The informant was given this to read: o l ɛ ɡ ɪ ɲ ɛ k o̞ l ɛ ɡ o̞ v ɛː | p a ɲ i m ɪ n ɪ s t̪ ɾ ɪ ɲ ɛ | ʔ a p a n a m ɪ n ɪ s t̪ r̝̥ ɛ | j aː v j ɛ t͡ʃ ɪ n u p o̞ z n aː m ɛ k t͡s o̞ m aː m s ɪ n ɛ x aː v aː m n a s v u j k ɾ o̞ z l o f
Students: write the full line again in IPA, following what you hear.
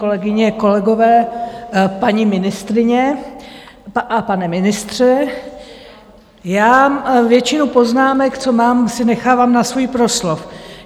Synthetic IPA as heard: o l ɛ ɡ ɪ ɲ ɛ k o̞ l ɛ ɡ o̞ v ɛː | p a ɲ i m ɪ n ɪ s t̪ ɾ ɪ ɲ ɛ | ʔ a p a n ɛ m ɪ n ɪ s t̪ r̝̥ ɛ | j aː v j ɛ t͡ʃ ɪ n u p o̞ z n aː m ɛ k t͡s o̞ m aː m s ɪ n ɛ x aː v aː m n a s v u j p ɾ o̞ s l o f